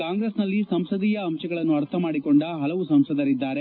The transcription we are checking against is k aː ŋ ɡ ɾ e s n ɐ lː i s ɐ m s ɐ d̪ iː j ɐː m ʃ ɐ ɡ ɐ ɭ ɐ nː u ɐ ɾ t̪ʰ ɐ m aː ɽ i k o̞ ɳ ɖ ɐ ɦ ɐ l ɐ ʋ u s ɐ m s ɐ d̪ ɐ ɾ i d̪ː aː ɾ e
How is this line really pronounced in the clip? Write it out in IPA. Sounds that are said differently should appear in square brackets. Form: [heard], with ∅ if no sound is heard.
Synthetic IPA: k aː ŋ ɡ ɾ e s n ɐ lː i s ɐ m s ɐ d̪ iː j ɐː m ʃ ɐ ɡ ɐ ɭ ɐ nː u ɐ ɾ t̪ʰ ɐ m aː ɽ i k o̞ ɳ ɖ ɐ ɦ ɐ l ɐ ʋ u s ɐ m s ɐ d̪ ɐ ɾ i d̪ː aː ɾ e